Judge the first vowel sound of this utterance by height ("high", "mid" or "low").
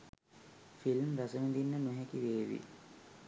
high